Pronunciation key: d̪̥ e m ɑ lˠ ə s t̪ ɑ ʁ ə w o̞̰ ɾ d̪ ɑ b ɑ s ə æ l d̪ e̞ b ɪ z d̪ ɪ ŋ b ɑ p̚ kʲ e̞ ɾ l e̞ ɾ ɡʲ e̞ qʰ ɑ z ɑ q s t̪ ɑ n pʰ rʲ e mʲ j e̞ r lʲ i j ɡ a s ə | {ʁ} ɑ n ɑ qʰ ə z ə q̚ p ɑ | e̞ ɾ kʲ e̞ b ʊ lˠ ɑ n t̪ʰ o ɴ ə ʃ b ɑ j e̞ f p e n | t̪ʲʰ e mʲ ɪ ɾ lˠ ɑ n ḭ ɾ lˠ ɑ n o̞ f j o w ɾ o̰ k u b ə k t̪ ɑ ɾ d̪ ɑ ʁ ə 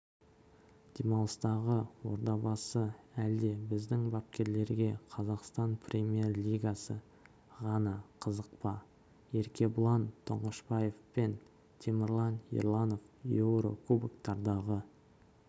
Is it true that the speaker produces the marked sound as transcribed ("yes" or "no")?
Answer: yes